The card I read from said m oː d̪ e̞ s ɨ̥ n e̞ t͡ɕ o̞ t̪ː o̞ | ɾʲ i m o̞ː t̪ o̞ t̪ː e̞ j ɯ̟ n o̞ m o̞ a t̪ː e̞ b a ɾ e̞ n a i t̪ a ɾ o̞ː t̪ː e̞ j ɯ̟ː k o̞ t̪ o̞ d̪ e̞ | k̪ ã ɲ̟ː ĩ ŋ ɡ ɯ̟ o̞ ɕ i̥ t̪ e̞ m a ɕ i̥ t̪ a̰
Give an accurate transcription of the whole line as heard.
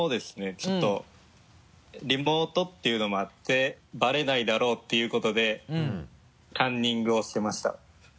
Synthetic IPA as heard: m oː d̪ e̞ s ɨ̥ n e̞ t͡ɕ o̞ t̪ː o̞ | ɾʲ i m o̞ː t̪ o̞ t̪ː e̞ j ɯ̟ n o̞ m o̞ a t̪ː e̞ b a ɾ e̞ n a i d̪ a ɾ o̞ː t̪ː e̞ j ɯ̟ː k o̞ t̪ o̞ d̪ e̞ | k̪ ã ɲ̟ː ĩ ŋ ɡ ɯ̟ o̞ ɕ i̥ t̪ e̞ m a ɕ i̥ t̪ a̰